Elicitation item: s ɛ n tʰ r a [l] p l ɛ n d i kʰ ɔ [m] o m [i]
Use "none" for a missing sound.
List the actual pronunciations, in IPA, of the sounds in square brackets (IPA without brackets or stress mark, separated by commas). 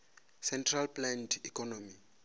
l, n, i